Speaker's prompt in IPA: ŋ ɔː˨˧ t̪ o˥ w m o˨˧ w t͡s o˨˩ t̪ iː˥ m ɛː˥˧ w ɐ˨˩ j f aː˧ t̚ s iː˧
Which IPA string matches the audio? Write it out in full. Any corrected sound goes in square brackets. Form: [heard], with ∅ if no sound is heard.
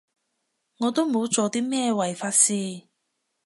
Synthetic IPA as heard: ŋ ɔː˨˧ t̪ o˥ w m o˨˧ w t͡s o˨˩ t̪ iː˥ m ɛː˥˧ w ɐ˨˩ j f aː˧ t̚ s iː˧